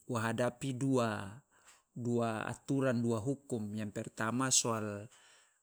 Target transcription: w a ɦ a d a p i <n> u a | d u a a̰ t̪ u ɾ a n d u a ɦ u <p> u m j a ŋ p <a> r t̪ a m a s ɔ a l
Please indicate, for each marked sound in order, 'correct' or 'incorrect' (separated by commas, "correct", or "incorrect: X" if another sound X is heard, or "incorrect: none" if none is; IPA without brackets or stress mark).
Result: incorrect: d, incorrect: k, incorrect: ɛ